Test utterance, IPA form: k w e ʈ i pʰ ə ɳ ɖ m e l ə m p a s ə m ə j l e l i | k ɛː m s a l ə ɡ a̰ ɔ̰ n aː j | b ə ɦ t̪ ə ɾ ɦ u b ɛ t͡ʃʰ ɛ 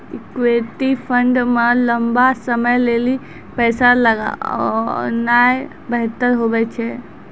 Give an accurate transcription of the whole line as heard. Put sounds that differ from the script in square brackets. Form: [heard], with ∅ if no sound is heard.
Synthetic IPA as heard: k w e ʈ i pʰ ə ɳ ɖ m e l ə m [b] a s ə m ə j l e l i | [p] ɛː [∅] s a l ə ɡ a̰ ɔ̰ n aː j | b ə ɦ t̪ ə ɾ ɦ [o] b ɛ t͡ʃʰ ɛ